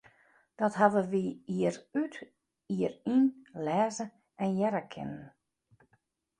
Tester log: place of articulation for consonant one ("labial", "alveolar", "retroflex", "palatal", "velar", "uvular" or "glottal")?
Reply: alveolar